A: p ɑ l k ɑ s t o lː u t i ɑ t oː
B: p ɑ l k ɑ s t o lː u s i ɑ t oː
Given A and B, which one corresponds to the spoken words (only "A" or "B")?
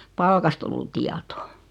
A